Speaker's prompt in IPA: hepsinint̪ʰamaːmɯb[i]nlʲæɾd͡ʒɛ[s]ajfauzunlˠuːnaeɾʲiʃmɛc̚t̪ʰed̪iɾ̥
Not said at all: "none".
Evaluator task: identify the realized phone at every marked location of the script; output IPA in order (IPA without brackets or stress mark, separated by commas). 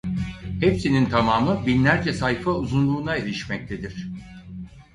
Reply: i, s